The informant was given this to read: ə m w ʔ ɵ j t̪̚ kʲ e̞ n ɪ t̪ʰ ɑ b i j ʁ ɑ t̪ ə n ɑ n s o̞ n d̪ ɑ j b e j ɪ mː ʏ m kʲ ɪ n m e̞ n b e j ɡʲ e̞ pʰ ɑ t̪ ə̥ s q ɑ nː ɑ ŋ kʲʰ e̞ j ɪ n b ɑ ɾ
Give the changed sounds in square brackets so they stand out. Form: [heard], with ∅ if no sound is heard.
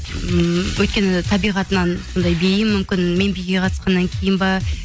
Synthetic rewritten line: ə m w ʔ ɵ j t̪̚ kʲ e̞ n ɪ t̪ʰ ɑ b i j ʁ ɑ t̪ ə n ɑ n s o̞ n d̪ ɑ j b e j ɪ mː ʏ m kʲ ɪ n m e̞ n b e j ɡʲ e̞ [qʰ] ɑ t̪ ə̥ s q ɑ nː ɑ ŋ kʲʰ e̞ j ɪ n b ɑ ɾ